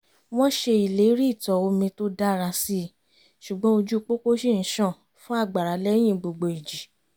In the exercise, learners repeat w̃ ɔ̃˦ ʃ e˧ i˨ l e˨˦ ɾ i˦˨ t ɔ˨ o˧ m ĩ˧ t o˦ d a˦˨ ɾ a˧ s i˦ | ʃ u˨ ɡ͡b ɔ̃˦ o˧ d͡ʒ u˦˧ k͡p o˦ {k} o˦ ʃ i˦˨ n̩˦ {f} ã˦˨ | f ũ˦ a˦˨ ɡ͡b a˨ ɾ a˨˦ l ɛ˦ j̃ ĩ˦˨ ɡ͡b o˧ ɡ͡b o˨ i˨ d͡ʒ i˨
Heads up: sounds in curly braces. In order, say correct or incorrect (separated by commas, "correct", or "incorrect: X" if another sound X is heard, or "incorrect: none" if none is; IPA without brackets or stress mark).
correct, incorrect: ʃ